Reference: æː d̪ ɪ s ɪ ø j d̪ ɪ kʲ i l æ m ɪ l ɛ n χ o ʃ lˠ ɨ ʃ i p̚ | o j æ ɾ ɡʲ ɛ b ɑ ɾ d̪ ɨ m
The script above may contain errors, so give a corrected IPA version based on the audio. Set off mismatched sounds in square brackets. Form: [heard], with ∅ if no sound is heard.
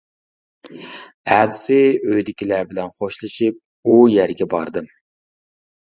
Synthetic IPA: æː d̪ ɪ s ɪ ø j d̪ ɪ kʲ i l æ [b] ɪ l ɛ n χ o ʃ lˠ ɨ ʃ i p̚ | [u] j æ ɾ ɡʲ ɛ b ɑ ɾ d̪ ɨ m